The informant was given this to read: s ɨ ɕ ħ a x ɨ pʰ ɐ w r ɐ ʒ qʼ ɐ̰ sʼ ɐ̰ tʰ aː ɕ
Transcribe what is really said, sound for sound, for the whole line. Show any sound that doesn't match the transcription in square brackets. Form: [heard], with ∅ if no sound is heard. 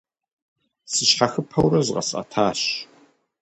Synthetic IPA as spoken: s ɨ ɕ ħ a x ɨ pʰ ɐ w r ɐ [z] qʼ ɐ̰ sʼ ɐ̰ tʰ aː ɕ